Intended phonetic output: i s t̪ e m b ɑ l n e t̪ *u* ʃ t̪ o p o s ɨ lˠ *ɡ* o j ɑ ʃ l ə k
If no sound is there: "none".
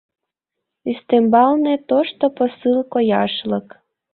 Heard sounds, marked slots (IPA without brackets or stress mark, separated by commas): o, k